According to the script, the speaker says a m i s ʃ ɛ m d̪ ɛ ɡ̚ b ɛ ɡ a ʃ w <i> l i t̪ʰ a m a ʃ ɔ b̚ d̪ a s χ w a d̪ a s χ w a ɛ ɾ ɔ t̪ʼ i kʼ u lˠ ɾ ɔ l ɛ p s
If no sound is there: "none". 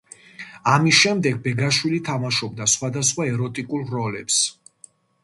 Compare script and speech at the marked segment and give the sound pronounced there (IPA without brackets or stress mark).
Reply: i